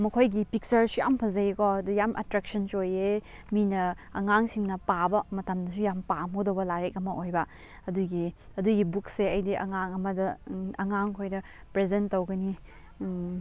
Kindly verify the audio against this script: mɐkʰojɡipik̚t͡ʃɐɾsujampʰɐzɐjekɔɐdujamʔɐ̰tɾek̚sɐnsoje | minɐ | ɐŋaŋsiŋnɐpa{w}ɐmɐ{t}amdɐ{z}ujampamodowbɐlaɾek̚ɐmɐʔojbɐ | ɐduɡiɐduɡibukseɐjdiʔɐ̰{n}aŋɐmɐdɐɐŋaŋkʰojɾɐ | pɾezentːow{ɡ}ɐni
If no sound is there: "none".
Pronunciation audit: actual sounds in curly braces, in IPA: b, t, s, ŋ, ɡ

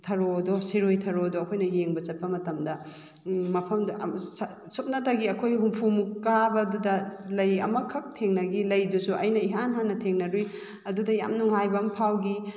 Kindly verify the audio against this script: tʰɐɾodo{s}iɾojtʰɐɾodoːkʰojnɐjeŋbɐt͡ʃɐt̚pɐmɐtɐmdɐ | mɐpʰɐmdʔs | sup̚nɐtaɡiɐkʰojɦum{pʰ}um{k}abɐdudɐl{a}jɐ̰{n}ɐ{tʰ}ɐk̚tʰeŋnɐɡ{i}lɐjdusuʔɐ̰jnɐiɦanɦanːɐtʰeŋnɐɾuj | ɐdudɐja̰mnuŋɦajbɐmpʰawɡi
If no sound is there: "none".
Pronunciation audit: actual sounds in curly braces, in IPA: s, pʰ, k, ɐ, m, kʰ, i

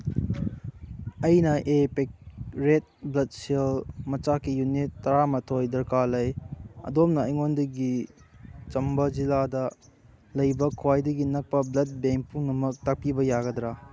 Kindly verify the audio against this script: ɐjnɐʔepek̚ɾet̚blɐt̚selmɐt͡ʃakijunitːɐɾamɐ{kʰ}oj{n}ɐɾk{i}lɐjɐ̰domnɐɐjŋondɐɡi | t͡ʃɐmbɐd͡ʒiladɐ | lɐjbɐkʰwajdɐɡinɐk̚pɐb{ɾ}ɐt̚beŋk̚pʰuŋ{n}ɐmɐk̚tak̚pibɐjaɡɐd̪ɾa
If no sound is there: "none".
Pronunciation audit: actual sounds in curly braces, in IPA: tʰ, d, a, l, n

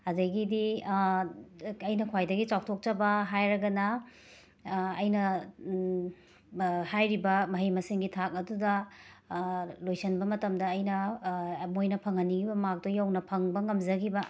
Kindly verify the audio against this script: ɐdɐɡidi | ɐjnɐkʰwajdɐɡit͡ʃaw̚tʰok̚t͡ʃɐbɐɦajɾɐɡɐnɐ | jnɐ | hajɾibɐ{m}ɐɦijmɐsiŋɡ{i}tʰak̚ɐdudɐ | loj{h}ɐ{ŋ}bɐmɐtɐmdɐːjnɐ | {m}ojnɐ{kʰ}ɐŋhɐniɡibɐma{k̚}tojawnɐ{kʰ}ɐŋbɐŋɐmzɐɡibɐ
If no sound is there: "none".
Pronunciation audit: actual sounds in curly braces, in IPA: m, i, s, n, m, pʰ, k̚, pʰ

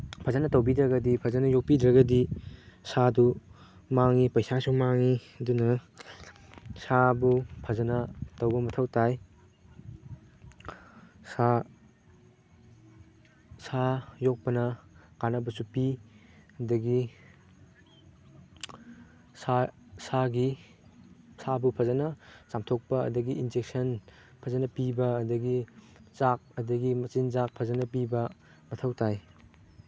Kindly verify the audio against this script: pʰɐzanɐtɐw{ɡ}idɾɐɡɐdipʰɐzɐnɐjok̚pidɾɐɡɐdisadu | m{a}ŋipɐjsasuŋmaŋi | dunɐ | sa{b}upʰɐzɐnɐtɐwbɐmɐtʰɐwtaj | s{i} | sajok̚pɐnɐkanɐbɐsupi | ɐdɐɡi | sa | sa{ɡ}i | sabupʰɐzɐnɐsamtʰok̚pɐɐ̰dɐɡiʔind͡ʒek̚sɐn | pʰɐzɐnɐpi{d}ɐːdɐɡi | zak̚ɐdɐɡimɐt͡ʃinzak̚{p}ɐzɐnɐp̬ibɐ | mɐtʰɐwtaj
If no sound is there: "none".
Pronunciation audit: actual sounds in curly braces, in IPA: b, a, b, a, ɡ, b, pʰ

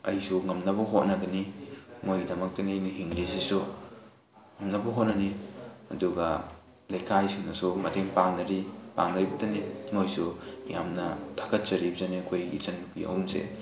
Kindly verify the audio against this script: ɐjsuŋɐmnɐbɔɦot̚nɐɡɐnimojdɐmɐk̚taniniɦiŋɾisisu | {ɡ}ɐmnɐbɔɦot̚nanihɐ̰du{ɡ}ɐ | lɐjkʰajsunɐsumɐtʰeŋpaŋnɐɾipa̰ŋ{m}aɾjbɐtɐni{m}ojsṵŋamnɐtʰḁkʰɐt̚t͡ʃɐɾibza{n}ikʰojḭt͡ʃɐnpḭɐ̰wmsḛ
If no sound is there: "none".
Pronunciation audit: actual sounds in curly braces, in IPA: ŋ, ɡ, n, m, n

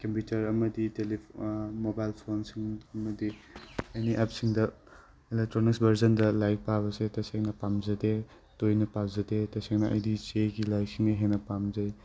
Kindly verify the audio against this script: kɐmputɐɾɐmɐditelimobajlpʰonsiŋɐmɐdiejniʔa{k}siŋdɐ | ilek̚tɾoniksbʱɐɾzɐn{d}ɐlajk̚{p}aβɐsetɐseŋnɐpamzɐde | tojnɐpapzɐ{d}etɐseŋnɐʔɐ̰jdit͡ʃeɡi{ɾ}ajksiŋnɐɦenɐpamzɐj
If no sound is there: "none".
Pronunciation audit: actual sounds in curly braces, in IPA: p, d, p, d, l

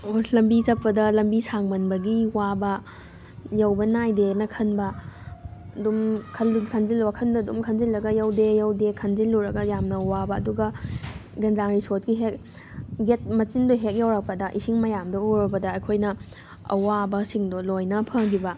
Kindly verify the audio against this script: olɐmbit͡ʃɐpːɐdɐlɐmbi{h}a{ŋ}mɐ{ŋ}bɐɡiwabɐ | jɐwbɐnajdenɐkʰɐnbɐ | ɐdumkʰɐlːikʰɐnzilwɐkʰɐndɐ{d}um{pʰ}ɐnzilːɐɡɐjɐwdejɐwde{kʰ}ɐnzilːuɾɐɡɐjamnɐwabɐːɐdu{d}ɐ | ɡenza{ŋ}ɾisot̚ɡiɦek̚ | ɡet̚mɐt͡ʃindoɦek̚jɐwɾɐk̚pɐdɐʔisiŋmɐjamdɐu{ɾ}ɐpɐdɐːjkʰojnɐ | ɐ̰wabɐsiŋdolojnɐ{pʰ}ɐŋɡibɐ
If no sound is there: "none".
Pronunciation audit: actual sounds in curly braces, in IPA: s, ŋ, n, d, kʰ, kʰ, ɡ, ŋ, ɾ, pʰ

